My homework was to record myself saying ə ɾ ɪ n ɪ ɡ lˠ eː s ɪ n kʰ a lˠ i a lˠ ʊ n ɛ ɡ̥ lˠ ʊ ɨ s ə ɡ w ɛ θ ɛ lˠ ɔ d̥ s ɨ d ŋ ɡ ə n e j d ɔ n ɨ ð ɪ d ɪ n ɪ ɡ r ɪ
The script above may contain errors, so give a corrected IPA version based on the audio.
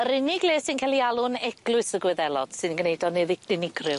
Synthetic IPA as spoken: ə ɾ ɪ n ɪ ɡ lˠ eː s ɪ n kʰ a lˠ i a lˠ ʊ n ɛ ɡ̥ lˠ ʊ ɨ s ə ɡ w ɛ ð ɛ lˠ ɔ d̥ s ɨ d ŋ ɡ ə n e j d ɔ n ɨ ð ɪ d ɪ n ɪ ɡ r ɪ